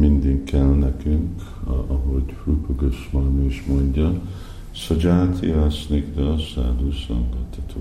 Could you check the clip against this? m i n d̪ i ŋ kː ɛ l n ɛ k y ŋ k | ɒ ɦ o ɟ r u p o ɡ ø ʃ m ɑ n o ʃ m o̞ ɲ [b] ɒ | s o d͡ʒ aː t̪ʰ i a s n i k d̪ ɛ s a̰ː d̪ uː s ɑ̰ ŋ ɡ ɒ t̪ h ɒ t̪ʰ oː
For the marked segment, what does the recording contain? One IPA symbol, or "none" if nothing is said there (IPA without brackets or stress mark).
ɟ